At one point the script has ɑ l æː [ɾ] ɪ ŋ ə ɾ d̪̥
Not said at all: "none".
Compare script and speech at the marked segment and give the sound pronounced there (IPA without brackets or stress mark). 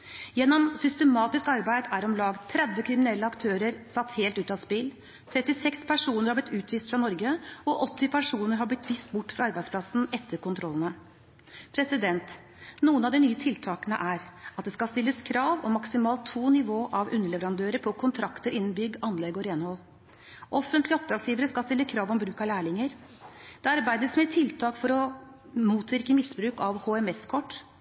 ɭ